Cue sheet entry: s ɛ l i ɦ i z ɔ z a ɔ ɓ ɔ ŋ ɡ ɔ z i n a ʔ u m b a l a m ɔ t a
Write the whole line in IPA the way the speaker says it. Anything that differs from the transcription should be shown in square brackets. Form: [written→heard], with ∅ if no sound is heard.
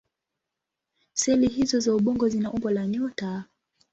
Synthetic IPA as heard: s ɛ l i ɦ i z ɔ z a [ɔ→u] ɓ ɔ ŋ ɡ ɔ z i n a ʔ u m b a l a [m→ɲ] ɔ t a